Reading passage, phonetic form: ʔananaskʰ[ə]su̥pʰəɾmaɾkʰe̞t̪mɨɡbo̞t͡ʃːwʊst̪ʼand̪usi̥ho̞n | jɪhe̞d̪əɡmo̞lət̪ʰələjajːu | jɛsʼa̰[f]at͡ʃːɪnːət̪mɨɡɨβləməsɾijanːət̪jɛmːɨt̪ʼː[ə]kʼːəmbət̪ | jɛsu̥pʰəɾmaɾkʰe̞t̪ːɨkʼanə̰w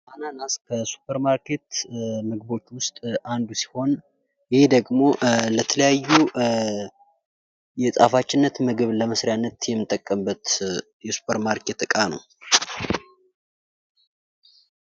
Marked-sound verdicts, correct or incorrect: correct, correct, correct

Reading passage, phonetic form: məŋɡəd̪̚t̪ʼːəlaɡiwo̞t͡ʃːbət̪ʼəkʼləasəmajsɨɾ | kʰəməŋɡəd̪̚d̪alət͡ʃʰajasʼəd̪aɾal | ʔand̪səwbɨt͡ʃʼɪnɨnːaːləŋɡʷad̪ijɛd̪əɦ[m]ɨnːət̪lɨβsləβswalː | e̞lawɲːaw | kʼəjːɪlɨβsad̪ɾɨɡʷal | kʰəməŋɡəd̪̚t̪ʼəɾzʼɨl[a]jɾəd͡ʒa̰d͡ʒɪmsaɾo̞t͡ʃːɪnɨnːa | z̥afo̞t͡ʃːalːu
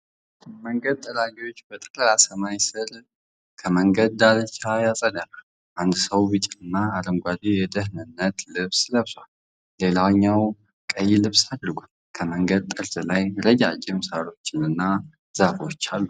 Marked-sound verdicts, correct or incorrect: incorrect: n, correct

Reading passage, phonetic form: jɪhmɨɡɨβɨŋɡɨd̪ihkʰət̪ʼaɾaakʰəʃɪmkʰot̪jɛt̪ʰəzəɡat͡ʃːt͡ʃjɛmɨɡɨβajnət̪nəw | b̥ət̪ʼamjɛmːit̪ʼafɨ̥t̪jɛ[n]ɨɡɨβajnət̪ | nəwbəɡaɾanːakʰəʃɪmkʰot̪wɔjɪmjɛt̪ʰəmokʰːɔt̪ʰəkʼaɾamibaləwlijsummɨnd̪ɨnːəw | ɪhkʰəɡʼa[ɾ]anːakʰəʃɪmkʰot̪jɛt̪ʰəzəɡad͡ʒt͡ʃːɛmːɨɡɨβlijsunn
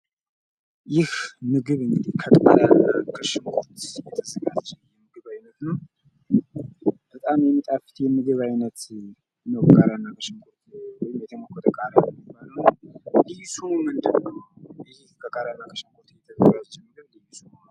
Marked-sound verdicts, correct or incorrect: incorrect: m, correct

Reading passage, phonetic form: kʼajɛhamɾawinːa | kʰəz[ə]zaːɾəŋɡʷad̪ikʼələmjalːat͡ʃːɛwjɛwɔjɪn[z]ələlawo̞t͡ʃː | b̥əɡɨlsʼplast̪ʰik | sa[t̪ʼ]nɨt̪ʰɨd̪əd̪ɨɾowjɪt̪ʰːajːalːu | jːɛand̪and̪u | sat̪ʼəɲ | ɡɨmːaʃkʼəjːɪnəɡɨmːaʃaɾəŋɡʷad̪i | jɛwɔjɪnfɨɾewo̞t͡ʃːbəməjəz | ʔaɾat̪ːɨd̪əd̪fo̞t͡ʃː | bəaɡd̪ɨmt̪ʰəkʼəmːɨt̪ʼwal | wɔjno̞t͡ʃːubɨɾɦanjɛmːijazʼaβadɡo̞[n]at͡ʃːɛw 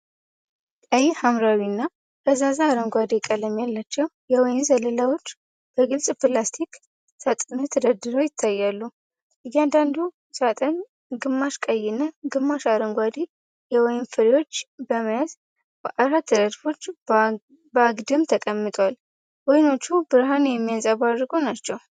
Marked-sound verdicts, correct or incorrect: incorrect: a, correct, correct, correct

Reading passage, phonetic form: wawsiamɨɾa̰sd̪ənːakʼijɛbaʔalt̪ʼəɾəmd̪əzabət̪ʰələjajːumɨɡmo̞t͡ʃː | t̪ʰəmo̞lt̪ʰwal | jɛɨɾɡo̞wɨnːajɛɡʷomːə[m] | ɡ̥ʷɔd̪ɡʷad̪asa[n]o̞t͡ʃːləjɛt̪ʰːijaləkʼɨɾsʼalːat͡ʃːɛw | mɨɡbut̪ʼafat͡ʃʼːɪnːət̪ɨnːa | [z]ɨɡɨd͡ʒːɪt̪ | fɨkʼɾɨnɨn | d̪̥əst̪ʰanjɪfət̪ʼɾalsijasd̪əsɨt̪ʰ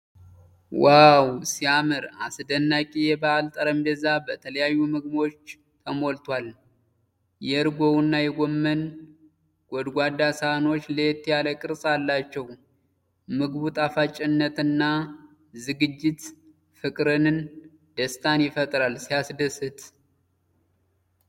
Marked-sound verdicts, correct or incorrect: incorrect: n, correct, correct

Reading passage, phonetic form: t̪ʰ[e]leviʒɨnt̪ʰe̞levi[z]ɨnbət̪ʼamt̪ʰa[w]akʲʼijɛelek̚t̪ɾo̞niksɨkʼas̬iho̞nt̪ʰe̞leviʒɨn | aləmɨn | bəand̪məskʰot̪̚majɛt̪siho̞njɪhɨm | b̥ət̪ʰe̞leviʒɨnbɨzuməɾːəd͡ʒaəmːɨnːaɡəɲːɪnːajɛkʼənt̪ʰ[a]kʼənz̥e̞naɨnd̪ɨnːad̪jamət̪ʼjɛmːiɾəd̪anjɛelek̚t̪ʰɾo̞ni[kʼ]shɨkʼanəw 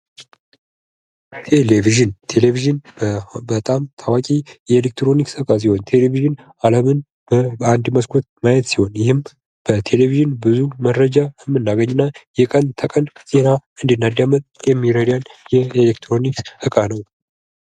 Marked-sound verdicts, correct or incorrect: correct, incorrect: ʒ, correct, incorrect: ə, incorrect: k

